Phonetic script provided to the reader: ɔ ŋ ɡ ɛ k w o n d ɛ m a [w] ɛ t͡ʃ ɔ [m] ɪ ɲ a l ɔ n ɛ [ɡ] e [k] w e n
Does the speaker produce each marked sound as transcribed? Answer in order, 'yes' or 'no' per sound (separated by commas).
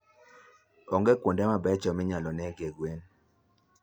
no, yes, yes, no